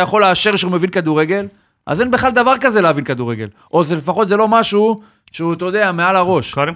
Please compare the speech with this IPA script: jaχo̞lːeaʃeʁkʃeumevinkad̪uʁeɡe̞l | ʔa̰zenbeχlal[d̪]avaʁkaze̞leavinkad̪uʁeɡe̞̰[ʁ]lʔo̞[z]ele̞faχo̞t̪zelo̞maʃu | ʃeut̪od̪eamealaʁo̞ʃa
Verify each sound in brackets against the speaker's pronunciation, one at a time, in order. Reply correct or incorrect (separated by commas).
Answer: correct, incorrect, correct